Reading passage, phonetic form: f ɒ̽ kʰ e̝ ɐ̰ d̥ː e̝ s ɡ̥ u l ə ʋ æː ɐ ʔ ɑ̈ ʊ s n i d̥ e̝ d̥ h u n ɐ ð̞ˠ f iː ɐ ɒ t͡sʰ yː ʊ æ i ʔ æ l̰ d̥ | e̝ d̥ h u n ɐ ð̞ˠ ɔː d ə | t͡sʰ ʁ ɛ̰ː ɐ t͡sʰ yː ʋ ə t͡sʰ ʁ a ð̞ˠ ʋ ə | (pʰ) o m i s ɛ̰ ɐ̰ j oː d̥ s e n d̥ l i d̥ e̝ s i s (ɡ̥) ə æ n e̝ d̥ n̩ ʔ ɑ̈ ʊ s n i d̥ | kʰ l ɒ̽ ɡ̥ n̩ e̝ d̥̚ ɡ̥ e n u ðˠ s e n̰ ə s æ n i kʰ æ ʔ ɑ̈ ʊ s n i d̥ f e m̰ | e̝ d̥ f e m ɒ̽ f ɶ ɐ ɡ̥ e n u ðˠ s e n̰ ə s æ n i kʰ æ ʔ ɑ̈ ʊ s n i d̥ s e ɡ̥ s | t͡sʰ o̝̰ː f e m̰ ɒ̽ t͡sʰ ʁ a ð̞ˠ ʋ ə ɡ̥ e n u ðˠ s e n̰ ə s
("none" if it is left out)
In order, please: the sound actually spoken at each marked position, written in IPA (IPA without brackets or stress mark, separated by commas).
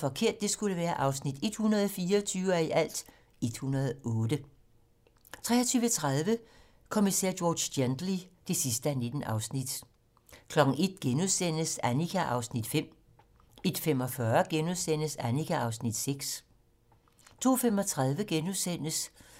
kʰ, d̥